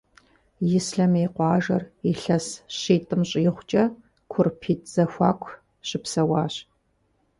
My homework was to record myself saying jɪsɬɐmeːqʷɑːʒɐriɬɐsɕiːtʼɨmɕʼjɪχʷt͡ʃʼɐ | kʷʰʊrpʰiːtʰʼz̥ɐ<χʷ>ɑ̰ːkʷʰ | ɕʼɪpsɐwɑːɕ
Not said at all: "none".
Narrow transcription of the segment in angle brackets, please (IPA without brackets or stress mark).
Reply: xʷ